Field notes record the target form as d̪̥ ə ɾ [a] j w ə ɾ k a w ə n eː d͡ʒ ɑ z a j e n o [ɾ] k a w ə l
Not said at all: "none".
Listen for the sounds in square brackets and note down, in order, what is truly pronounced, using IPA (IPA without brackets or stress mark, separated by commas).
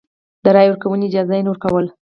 ɑ, ɾ